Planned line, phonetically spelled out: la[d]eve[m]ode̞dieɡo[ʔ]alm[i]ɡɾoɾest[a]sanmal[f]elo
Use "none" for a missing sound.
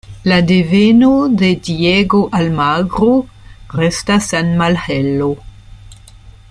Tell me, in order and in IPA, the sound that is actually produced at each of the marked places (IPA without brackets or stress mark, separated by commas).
d, n, ʔ, a, a, h